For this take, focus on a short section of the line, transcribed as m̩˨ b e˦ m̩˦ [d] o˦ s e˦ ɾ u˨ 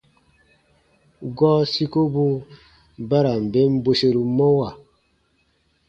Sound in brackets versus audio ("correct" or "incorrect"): incorrect